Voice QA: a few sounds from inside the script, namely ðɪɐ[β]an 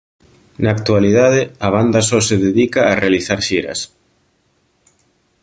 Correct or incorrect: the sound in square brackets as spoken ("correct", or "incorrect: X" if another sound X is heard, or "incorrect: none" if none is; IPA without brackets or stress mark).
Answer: correct